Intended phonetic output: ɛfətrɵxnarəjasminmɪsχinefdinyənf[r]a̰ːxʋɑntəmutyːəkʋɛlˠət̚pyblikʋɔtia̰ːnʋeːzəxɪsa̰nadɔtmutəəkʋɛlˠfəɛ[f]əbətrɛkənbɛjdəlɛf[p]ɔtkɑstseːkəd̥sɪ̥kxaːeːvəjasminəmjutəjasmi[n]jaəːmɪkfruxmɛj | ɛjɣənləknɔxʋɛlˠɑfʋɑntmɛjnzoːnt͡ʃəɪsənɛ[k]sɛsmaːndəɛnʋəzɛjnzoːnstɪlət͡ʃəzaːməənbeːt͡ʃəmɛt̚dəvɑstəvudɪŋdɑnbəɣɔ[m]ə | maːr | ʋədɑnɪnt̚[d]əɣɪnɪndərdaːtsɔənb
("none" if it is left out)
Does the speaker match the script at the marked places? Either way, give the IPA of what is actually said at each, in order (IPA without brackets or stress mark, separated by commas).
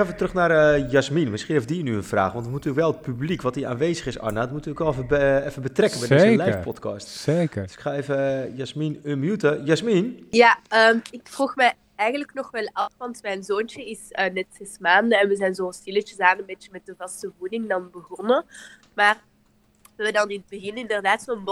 r, f, p, n, t, n, b